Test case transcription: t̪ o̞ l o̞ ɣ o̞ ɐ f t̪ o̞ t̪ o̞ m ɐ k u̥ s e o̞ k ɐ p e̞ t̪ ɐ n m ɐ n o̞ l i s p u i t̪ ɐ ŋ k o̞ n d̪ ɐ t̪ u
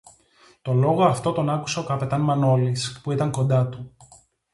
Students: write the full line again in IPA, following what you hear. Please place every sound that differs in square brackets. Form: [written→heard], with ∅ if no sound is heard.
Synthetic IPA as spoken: t̪ o̞ l o̞ ɣ o̞ ɐ f t̪ o̞ t̪ o̞ [m→n] ɐ k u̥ s e o̞ k ɐ p e̞ t̪ ɐ n m ɐ n o̞ l i s p u i t̪ ɐ ŋ k o̞ n d̪ ɐ t̪ u